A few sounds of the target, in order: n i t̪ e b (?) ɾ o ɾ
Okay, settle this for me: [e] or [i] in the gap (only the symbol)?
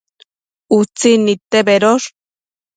e